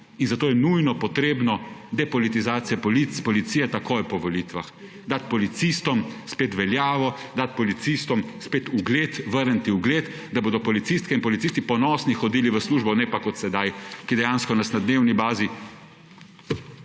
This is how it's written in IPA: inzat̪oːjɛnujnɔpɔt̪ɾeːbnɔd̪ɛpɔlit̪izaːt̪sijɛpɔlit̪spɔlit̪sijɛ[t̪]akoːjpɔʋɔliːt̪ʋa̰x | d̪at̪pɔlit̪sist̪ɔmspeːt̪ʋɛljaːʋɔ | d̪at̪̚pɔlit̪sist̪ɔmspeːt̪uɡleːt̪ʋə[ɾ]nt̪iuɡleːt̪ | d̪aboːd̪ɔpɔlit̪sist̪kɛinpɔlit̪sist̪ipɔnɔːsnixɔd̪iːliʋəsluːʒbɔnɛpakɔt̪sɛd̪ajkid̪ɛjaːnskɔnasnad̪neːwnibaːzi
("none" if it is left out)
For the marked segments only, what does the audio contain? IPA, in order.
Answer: t̪, ɾ

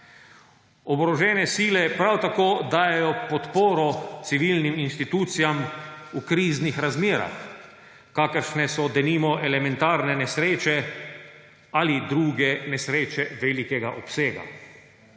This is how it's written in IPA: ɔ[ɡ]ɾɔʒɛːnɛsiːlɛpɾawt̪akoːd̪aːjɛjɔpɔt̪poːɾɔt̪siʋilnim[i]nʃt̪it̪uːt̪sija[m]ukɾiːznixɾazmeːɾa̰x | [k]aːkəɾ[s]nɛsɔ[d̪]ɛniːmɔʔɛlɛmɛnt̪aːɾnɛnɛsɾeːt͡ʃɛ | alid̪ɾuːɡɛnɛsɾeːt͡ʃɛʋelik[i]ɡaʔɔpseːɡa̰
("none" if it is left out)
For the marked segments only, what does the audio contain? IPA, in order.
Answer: b, i, m, k, ʃ, d̪, ɛ

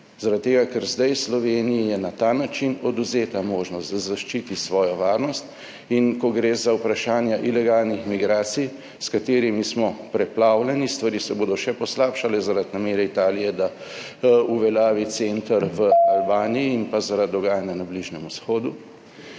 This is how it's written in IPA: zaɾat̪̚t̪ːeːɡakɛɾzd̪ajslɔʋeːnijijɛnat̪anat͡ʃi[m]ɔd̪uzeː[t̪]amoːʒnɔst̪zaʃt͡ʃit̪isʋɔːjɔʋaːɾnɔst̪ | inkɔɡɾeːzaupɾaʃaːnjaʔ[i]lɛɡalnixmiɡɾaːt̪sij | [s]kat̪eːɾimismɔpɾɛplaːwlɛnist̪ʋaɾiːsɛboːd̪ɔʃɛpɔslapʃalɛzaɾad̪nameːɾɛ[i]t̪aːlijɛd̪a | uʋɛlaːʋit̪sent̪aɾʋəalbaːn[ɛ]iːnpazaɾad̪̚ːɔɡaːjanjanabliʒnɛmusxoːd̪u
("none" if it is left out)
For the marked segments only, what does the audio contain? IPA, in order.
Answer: n, t̪, i, s, i, i

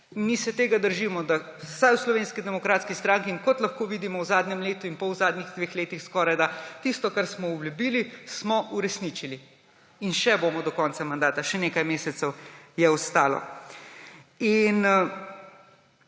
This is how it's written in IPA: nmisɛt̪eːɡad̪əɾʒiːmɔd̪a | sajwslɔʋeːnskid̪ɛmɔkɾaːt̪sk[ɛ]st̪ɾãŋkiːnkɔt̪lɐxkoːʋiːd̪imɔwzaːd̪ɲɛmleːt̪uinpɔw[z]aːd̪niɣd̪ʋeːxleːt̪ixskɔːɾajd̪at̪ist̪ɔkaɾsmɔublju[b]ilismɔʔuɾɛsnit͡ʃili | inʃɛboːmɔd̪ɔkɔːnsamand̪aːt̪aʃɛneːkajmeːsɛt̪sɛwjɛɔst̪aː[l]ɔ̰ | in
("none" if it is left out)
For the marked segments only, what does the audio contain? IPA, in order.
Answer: i, z, b, l

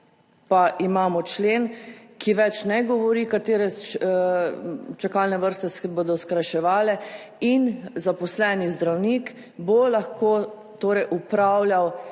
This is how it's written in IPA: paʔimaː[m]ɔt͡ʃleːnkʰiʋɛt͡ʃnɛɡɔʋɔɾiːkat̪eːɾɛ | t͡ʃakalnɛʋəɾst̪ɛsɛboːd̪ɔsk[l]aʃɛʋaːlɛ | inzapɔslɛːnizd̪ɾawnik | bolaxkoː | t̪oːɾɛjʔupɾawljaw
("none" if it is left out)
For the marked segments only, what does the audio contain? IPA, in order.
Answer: m, ɾ

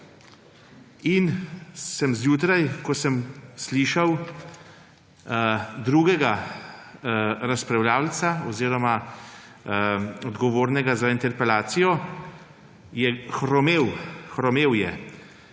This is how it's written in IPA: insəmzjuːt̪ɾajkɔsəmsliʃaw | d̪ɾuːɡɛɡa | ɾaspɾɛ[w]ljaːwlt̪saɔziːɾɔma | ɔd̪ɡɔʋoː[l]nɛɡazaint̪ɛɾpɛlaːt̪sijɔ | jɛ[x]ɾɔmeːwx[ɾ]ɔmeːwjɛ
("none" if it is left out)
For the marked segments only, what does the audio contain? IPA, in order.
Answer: w, ɾ, x, ɾ

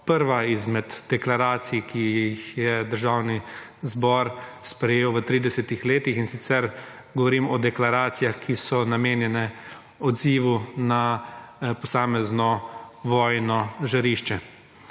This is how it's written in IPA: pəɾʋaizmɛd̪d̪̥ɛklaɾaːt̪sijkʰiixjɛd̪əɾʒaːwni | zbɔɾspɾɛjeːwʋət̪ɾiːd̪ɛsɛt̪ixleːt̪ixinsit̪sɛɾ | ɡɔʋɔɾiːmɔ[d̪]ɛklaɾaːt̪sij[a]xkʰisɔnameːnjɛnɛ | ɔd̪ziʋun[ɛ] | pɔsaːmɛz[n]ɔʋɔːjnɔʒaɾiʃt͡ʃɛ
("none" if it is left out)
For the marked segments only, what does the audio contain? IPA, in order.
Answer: d̪, a, a, n

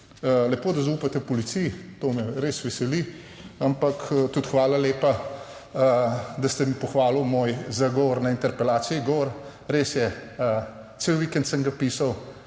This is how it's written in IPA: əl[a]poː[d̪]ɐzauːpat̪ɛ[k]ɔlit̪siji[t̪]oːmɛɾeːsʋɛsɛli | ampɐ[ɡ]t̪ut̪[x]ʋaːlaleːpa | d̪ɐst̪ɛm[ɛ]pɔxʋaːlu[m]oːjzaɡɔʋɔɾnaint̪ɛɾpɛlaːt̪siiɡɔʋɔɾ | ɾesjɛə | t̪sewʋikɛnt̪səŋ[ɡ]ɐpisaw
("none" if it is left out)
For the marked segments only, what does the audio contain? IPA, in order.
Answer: ɛ, d̪, p, t̪, k, x, i, m, ɡ

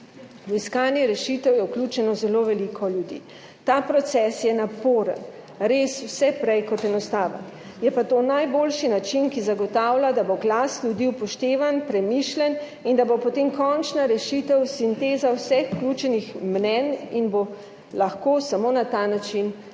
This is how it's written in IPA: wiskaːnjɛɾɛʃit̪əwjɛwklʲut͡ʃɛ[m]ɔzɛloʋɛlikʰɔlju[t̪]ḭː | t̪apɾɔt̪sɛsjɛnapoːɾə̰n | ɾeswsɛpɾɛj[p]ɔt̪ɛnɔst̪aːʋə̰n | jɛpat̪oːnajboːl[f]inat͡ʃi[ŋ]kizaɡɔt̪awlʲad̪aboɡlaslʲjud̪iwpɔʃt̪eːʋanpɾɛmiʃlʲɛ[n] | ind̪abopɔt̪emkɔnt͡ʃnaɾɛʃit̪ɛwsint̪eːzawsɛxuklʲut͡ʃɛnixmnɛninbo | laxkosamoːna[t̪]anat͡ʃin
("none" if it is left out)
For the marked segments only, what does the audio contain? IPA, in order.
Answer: n, d̪, k, ʃ, n, n, t̪

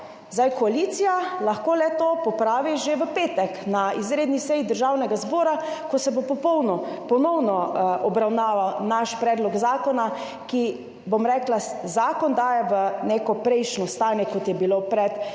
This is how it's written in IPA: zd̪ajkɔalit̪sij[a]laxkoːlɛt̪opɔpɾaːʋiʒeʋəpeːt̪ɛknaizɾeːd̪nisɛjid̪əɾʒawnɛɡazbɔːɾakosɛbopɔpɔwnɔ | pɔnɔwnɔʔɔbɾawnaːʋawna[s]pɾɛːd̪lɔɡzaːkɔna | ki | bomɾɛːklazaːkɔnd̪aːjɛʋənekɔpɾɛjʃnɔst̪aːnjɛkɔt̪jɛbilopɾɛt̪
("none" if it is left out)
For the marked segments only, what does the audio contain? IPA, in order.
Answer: a, ʃ

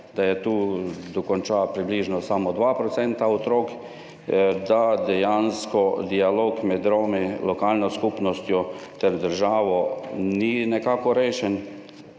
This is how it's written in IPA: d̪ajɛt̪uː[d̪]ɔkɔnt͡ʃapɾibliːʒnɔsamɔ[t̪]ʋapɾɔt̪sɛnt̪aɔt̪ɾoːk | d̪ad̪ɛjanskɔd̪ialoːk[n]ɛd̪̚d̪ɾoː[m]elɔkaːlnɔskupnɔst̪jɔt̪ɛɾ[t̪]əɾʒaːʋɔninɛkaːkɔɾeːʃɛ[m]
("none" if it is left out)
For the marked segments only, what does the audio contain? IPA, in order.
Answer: d̪, d̪, m, m, d̪, n

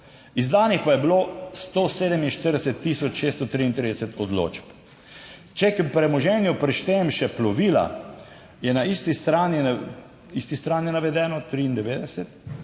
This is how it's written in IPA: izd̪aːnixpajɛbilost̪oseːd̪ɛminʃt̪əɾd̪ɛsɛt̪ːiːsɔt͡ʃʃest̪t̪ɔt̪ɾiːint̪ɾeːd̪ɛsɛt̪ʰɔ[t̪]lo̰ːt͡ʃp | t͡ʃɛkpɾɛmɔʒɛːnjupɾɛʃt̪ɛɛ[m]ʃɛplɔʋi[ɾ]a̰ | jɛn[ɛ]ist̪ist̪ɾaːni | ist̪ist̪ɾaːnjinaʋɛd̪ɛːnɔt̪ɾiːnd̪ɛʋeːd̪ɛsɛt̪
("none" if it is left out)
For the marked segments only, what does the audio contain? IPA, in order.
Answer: d̪, m, l, a

